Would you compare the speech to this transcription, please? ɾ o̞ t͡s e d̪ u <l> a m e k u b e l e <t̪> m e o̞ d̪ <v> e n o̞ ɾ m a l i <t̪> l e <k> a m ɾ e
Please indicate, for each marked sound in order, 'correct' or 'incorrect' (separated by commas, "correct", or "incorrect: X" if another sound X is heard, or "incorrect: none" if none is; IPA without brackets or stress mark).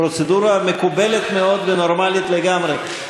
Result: incorrect: ɾ, correct, correct, correct, incorrect: ɡ